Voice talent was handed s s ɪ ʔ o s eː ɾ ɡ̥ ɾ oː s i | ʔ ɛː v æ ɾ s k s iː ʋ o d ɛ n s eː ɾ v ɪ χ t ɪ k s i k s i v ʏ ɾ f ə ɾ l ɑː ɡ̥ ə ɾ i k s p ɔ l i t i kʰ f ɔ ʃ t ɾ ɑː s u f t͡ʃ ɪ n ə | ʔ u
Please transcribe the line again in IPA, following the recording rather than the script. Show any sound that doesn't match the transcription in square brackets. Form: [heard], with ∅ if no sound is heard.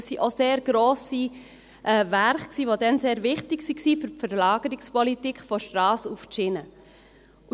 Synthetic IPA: s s [i] ʔ o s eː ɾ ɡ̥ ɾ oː s i | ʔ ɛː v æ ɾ [χ] k s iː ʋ o d ɛ n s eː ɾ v ɪ χ t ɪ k s i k s i [f] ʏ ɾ f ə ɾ l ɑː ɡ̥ ə ɾ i k s p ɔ l i t i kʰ f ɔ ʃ t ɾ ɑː s u f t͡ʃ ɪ n ə | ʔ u